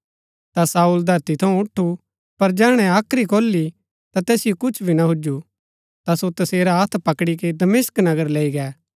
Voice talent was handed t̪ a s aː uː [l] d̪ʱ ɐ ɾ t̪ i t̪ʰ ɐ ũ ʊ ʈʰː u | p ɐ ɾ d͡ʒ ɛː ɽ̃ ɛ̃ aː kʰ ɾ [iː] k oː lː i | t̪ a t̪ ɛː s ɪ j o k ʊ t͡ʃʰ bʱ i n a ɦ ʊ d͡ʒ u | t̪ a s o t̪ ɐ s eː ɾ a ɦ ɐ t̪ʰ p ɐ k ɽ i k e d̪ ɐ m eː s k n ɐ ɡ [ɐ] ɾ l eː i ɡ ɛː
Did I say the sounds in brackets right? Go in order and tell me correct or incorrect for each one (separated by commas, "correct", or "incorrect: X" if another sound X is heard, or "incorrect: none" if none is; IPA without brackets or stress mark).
correct, incorrect: i, incorrect: ə